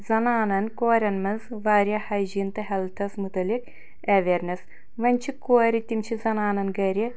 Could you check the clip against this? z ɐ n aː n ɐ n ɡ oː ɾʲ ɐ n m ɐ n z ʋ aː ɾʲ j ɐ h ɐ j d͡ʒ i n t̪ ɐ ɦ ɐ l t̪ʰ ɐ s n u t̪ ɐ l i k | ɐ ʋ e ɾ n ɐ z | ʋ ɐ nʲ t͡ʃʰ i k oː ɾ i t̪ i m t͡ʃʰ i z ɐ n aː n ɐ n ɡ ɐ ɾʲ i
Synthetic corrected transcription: z ɐ n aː n ɐ n k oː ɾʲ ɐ n m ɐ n z ʋ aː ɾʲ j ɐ h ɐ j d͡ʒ i n t̪ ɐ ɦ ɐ l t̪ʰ ɐ s m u t̪ ɐ l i k | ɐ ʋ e ɾ n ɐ s | ʋ ɐ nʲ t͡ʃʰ i k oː ɾ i t̪ i m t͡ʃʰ i z ɐ n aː n ɐ n ɡ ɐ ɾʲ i